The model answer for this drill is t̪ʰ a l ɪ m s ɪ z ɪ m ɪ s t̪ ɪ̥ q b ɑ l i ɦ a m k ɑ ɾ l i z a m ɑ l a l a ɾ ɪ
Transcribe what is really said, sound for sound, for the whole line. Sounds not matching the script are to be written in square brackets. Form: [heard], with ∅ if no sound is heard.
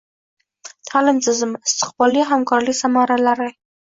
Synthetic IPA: t̪ʰ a l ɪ m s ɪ z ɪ m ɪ s t̪ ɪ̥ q b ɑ l i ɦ a m k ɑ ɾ l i [s] a m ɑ [ɾ] a l a ɾ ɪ